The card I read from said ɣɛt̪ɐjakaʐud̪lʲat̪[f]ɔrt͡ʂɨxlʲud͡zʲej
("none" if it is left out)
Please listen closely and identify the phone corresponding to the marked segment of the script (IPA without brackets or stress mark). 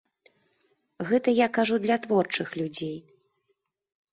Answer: v